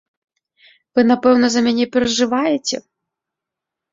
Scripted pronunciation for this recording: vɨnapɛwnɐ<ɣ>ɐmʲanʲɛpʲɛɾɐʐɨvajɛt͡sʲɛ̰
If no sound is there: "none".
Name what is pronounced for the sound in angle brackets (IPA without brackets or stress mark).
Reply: z